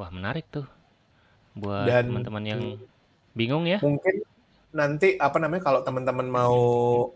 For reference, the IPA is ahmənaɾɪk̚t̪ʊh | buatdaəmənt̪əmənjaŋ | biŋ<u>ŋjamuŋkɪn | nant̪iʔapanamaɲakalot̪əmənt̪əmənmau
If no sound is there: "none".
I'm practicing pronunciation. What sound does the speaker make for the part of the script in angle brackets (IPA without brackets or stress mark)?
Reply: ʊ